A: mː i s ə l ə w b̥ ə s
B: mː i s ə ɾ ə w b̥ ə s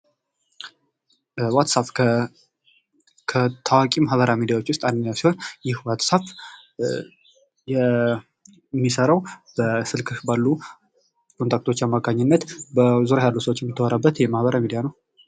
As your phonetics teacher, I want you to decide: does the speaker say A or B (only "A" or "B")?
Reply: B